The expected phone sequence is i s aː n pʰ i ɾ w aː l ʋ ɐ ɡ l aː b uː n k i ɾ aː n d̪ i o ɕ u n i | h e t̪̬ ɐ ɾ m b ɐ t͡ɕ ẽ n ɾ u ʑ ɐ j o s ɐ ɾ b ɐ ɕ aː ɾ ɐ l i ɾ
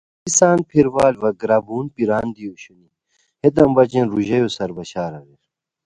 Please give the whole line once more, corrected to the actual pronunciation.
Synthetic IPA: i s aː n pʰ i ɾ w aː l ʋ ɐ ɡ ɾ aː b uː n p i ɾ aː n d̪ i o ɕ u n i | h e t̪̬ ɐ m b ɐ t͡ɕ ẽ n ɾ u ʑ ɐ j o s ɐ ɾ b ɐ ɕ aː ɾ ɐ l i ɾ